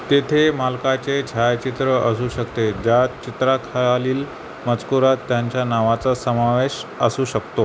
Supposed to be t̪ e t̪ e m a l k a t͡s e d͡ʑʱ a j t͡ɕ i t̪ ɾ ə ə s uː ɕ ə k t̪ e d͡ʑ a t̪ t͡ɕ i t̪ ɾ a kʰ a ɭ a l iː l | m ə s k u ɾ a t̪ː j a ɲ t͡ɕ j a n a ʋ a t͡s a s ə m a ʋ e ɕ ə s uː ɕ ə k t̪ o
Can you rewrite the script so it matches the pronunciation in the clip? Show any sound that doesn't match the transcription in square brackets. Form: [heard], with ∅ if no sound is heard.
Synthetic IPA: t̪ e [t̪ʰ] e m a l k a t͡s e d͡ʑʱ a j t͡ɕ i t̪ ɾ ə ə s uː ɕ ə k t̪ e d͡ʑ a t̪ t͡ɕ i t̪ ɾ a kʰ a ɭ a l iː l | m ə [t͡s] k u ɾ a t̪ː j a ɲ t͡ɕ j a n a ʋ a t͡s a s ə m a ʋ e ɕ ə s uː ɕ ə k t̪ o